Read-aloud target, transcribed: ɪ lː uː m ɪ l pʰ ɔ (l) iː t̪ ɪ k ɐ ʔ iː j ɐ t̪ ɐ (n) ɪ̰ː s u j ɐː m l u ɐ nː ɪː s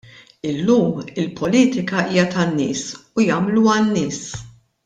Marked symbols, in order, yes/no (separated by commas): yes, no